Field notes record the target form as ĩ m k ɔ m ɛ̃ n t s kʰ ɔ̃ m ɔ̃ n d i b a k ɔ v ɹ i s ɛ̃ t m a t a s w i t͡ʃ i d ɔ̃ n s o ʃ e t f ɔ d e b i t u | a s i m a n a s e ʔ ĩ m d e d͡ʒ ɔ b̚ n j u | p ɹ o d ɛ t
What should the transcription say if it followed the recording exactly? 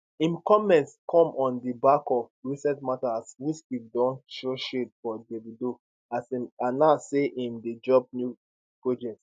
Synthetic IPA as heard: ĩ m k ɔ m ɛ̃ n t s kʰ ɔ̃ m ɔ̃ n d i b a k ɔ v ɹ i s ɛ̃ t m a t a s w i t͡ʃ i d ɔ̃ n ʃ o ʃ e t f ɔ d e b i d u | a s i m a n a s e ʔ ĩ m d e d͡ʒ ɔ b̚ n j u | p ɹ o d͡ʒ ɛ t